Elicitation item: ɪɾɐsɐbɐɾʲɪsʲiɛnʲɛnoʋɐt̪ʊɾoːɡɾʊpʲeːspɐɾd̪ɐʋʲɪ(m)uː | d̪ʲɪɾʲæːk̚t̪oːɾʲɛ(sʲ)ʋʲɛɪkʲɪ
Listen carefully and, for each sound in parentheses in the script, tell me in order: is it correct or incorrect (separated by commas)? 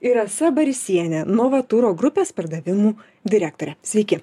correct, correct